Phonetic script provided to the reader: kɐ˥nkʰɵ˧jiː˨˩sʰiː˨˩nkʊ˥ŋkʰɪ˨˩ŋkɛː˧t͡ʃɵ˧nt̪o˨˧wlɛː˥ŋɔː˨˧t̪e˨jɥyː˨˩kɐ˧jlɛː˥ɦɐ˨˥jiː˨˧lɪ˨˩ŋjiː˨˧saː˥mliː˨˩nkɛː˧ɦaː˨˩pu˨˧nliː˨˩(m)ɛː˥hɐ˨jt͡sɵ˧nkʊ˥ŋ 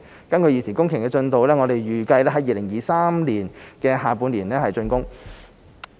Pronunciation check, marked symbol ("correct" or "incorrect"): incorrect